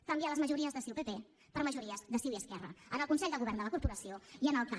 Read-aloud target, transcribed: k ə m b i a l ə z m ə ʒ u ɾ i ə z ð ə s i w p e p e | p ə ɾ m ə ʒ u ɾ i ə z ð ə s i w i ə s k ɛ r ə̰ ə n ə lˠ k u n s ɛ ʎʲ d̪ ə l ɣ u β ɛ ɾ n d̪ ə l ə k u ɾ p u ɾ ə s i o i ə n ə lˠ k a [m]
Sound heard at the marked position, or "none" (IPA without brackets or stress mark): none